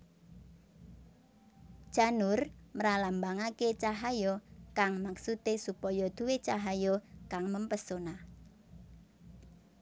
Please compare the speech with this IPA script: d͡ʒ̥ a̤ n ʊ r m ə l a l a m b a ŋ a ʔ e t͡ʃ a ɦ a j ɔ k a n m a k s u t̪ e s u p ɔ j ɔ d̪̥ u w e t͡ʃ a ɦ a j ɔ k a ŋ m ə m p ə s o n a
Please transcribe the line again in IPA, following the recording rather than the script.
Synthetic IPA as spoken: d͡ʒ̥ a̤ n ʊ r m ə ɾ a l a m b a ŋ a k e t͡ʃ a ɦ a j ɔ k a ŋ m a k s u t̪ e s u p ɔ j ɔ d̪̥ u w e t͡ʃ a ɦ a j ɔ k a ŋ m ə m p ə s o n a